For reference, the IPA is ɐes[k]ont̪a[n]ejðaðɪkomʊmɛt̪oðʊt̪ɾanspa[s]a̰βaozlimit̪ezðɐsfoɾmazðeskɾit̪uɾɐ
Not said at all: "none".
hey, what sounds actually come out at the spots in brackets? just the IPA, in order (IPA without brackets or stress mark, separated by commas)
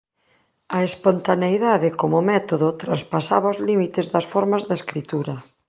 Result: p, n, s